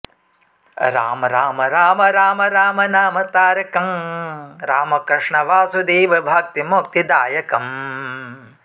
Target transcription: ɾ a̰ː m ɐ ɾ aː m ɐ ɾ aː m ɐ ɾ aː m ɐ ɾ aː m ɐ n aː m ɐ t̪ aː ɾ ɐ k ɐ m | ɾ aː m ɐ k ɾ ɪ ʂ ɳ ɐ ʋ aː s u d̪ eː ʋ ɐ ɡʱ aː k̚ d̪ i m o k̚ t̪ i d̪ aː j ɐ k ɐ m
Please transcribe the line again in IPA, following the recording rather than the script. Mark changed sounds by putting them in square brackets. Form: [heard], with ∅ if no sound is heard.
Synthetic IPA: ɾ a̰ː m ɐ ɾ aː m ɐ ɾ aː m ɐ ɾ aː m ɐ ɾ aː m ɐ n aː m ɐ t̪ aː ɾ ɐ k ɐ m | ɾ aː m ɐ k ɾ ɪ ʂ ɳ ɐ ʋ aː s u d̪ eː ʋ ɐ [bʱ] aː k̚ [t̪] i m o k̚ t̪ i d̪ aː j ɐ k ɐ m